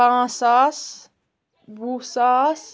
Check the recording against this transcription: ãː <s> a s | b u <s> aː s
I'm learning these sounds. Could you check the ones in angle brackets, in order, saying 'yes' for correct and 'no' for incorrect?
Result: yes, yes

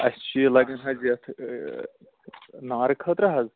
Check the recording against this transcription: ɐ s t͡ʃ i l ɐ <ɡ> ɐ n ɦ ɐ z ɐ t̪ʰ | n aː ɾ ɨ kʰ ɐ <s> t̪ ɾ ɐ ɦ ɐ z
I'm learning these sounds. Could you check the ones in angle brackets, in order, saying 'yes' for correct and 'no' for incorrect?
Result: yes, no

